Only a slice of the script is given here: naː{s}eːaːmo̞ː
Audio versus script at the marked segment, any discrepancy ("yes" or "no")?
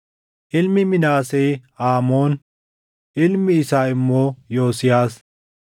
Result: no